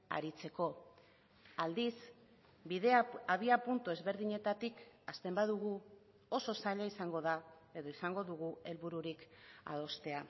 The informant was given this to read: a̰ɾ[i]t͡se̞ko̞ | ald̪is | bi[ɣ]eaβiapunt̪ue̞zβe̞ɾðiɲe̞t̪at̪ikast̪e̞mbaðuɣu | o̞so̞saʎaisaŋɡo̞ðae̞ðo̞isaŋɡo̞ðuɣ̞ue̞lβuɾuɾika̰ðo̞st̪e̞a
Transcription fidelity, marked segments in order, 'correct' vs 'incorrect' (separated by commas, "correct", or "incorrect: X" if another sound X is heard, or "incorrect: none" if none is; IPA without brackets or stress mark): correct, incorrect: ð